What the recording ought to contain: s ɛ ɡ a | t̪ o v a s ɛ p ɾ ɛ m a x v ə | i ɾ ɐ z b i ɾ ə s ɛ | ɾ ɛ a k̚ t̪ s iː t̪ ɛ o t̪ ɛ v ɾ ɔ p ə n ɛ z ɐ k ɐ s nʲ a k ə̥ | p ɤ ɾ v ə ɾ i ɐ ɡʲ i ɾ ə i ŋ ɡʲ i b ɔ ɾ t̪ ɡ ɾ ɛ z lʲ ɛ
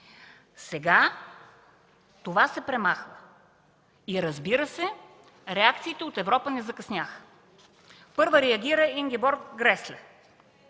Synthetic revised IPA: s ɛ ɡ a | t̪ o v a s ɛ p ɾ ɛ m a x v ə | i ɾ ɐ z b i ɾ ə s ɛ | ɾ ɛ a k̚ t̪ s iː t̪ ɛ o t̪ ɛ v ɾ ɔ p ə n ɛ z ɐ k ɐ s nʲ a x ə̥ | p ɤ ɾ v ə ɾ ɛ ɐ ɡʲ i ɾ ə i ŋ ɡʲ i b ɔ ɾ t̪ ɡ ɾ ɛ s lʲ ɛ